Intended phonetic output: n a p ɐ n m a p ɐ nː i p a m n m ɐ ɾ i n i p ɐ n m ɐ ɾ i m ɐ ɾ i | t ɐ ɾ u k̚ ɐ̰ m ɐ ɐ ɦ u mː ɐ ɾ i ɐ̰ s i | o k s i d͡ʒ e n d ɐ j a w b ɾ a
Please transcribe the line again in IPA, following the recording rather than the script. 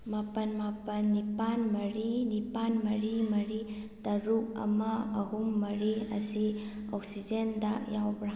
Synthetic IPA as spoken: m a p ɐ n m a p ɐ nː i p a n m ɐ ɾ i n i p a n m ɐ ɾ i m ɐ ɾ i | t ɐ ɾ u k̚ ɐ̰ m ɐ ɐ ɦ u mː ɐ ɾ i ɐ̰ s i | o k s i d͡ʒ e n d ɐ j a w b ɾ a